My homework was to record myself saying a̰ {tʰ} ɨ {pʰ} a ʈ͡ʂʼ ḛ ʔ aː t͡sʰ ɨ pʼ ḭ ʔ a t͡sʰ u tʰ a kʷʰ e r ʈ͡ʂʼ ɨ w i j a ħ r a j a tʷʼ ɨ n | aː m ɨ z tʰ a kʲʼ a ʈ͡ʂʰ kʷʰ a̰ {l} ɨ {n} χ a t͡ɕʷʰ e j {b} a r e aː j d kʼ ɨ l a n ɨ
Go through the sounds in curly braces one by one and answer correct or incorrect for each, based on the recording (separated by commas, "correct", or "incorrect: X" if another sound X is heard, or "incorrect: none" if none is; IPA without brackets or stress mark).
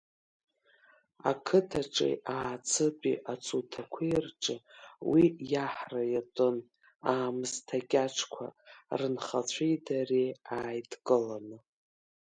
incorrect: kʰ, incorrect: tʰ, incorrect: r, correct, incorrect: d